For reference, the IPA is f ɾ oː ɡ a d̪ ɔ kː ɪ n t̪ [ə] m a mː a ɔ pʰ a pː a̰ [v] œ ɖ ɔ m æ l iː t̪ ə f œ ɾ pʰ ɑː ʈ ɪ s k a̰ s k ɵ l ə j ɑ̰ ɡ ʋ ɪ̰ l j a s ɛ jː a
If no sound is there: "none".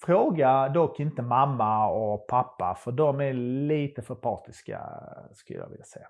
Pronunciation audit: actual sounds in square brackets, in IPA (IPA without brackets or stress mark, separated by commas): ə, f